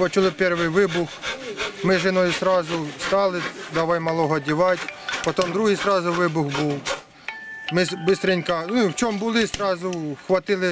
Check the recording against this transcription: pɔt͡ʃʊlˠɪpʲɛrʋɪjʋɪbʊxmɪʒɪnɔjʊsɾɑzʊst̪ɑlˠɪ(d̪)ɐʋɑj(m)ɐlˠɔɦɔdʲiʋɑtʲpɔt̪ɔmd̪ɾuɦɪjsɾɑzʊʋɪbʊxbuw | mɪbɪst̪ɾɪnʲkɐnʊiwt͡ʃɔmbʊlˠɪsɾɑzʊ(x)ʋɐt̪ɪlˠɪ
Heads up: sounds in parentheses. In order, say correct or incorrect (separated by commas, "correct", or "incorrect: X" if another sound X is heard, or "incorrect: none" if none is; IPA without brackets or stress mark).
correct, correct, correct